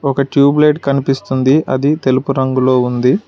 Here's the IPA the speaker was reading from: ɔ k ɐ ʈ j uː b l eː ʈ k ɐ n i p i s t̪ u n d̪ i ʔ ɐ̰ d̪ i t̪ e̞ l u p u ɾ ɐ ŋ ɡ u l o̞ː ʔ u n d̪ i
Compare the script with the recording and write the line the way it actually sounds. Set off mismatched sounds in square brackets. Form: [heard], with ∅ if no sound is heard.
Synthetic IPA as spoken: ɔ k ɐ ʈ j uː b l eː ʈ k ɐ n i p i s t̪ u n d̪ i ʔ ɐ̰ d̪ i t̪ e̞ l u p u ɾ ɐ ŋ ɡ u l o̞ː [∅] u n d̪ i